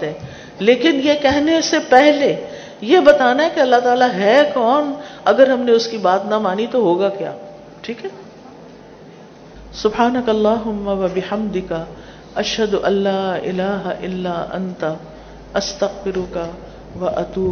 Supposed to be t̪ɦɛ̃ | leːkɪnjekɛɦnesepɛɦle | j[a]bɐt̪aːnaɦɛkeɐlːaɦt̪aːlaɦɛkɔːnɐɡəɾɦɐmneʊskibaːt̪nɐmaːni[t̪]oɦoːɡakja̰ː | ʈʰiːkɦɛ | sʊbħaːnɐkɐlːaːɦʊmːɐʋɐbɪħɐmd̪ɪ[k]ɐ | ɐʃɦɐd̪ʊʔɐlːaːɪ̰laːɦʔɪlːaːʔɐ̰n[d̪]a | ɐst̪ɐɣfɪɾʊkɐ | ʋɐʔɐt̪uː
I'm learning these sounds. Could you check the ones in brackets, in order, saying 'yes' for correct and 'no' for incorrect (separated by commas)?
no, yes, yes, no